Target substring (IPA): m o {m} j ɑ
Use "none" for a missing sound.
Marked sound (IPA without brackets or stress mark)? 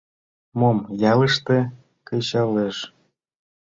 m